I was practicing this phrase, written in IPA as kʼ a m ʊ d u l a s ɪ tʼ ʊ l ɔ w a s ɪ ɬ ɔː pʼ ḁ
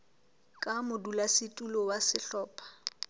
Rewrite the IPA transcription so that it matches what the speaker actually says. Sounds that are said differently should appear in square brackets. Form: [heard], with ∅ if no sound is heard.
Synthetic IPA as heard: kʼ a m ʊ d u l a s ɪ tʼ [u] l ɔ w a s ɪ ɬ ɔː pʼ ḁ